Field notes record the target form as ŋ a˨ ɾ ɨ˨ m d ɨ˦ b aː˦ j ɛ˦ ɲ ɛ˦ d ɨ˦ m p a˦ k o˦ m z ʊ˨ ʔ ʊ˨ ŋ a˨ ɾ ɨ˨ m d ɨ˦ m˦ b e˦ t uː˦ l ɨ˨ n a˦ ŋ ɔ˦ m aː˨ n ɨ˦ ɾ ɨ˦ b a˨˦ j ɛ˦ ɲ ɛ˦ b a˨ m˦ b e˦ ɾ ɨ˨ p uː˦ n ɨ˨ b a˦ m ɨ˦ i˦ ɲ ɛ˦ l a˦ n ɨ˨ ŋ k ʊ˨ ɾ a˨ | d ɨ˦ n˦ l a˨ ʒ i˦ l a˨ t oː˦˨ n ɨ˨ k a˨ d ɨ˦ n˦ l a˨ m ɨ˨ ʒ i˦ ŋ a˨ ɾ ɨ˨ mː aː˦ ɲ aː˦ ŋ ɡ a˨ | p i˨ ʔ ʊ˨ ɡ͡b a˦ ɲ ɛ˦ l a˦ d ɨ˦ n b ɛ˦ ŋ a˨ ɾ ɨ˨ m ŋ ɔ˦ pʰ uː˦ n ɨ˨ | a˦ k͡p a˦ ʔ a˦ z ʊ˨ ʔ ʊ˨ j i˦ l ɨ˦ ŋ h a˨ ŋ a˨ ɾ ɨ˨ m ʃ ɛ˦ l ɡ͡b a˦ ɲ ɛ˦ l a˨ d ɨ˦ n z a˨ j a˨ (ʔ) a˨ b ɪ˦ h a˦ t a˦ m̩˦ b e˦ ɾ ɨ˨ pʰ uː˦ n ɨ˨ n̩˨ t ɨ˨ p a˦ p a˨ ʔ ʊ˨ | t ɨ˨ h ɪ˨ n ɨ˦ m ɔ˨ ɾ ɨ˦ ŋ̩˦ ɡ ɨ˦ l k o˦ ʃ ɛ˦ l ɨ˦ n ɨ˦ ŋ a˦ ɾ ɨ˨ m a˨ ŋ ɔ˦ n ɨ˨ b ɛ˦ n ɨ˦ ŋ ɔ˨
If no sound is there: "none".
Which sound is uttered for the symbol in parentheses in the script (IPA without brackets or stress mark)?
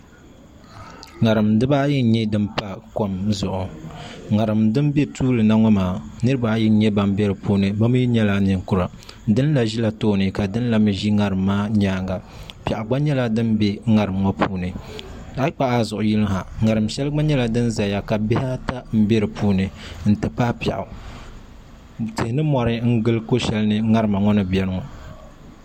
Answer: k